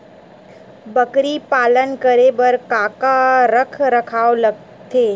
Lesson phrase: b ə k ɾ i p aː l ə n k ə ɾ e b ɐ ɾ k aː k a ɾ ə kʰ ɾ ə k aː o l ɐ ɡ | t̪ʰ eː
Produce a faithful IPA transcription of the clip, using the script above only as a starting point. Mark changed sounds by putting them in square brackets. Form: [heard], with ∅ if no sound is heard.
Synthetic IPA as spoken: b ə k ɾ i p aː l ə n k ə ɾ e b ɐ ɾ k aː k a ɾ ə kʰ ɾ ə [kʰ] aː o l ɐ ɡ | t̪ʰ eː